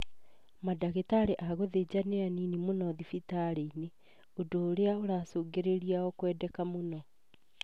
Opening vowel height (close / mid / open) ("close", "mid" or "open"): open